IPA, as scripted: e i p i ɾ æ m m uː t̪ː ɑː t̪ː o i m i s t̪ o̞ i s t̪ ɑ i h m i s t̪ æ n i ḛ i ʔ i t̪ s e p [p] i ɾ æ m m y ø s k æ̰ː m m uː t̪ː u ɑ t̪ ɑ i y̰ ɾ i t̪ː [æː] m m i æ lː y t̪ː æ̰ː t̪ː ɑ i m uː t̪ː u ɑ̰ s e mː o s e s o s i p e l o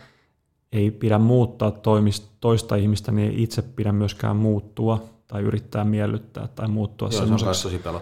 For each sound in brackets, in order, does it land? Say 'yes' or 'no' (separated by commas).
yes, yes